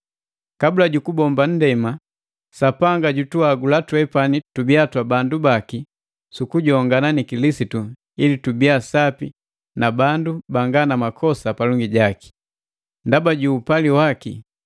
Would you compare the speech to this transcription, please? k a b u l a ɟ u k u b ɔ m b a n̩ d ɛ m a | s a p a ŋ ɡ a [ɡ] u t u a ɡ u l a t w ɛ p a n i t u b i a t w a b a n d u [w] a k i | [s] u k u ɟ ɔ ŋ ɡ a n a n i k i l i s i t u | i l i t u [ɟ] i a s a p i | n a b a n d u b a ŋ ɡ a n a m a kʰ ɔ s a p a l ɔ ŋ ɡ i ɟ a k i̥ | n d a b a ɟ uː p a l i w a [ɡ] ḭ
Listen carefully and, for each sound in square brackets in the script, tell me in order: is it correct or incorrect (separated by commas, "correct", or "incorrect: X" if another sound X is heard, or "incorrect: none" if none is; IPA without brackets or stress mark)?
incorrect: ɟ, incorrect: b, correct, incorrect: b, incorrect: k